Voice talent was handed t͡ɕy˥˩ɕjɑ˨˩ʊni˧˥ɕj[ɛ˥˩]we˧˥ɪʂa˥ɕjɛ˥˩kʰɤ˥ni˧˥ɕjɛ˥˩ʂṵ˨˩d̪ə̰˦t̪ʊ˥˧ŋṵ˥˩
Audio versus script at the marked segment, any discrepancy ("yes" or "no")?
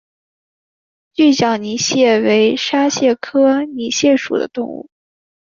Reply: no